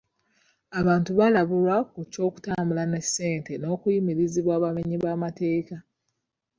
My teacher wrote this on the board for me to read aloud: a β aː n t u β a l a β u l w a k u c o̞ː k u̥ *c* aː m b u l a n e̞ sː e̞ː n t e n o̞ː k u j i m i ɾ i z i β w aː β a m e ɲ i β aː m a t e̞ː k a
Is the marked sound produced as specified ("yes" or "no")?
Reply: no